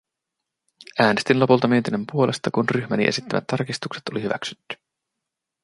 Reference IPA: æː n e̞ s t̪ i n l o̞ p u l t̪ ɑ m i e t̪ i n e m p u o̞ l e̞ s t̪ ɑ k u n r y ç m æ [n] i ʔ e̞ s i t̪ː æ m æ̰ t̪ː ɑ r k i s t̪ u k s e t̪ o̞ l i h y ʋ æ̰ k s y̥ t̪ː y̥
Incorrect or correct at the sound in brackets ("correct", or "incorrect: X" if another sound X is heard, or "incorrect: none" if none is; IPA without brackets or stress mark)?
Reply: correct